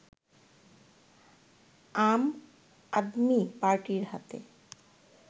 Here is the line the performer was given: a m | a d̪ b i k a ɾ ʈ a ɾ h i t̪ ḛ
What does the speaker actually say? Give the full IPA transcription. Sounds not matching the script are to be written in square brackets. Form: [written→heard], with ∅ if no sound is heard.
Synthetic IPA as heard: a m | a d̪ [b→m] i [k→p] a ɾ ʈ [a→i] ɾ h [i→a] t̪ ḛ